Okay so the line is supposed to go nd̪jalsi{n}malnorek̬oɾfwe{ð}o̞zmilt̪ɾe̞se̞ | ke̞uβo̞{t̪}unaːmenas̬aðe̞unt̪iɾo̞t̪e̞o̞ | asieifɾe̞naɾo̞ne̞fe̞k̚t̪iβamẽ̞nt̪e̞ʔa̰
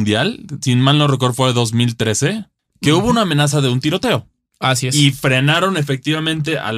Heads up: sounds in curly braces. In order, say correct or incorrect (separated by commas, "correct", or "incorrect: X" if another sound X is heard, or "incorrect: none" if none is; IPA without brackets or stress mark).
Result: correct, correct, incorrect: none